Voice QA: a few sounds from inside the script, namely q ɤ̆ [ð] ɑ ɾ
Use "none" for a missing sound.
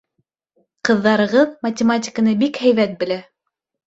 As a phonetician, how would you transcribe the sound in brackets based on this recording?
ðː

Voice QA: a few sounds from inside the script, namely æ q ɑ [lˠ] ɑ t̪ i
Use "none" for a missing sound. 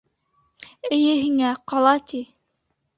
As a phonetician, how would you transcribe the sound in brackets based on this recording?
lˠ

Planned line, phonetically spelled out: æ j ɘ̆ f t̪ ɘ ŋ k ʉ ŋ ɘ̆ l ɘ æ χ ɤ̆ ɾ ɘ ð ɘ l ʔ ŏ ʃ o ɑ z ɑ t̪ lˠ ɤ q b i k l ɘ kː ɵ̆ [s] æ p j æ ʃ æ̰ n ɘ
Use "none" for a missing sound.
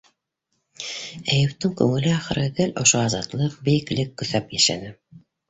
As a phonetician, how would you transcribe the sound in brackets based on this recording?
θ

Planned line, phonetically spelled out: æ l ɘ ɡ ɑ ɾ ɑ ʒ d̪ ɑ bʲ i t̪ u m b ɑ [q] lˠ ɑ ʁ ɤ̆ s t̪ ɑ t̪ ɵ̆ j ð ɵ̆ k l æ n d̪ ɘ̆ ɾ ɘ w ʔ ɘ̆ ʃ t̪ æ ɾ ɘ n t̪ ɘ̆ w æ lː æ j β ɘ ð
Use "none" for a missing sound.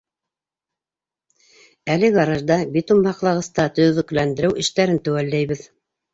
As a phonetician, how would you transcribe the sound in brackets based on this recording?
q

